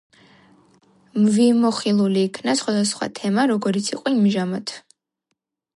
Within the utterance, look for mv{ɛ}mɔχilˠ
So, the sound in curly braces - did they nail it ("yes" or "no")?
no